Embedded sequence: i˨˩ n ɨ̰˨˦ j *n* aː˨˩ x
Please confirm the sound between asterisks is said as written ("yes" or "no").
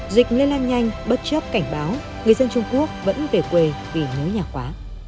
no